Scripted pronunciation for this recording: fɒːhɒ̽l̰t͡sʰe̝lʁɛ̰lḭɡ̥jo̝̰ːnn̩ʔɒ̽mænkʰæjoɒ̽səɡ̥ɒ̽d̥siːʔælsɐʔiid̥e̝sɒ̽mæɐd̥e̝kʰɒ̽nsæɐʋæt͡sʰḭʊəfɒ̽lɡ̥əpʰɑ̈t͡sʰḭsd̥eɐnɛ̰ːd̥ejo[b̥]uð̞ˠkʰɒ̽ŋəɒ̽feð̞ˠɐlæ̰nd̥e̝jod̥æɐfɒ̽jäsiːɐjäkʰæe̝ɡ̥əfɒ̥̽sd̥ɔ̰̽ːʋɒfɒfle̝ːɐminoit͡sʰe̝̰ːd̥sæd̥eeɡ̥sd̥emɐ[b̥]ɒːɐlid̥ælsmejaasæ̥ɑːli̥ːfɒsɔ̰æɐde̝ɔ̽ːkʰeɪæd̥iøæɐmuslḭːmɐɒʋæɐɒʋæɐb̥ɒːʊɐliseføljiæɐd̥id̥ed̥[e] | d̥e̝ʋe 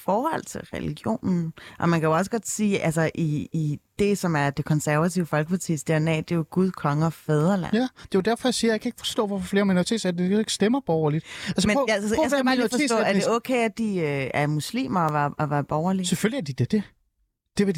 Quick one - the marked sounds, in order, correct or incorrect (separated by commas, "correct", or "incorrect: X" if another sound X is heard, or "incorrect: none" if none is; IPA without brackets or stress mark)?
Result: incorrect: ɡ̥, correct, correct